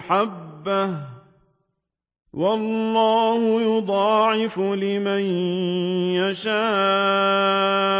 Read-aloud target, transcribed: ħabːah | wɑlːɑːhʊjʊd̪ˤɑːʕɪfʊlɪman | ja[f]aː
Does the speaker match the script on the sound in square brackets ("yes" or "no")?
no